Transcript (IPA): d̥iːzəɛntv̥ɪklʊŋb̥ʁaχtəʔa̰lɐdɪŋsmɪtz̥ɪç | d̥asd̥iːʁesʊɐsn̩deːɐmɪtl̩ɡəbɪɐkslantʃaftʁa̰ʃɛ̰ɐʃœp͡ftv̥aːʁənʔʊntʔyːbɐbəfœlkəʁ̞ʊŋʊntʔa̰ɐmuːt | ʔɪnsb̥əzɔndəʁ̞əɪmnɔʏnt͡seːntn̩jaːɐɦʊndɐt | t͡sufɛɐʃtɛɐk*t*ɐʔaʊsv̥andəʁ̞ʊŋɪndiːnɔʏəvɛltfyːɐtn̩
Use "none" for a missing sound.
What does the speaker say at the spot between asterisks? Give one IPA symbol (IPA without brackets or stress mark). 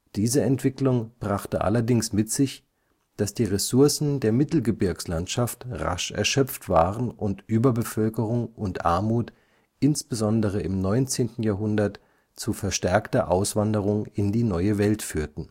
t